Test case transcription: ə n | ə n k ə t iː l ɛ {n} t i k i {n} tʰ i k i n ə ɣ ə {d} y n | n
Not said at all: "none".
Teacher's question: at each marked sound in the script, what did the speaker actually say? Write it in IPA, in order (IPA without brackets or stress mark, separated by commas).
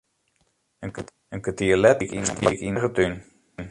none, n, t